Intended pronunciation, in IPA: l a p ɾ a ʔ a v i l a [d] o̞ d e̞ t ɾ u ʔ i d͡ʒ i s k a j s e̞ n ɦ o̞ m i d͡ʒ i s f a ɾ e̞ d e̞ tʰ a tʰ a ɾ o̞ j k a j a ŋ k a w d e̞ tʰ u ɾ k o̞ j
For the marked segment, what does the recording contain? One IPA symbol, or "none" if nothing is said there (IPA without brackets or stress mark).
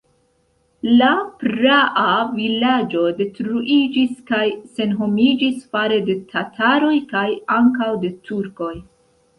d͡ʒ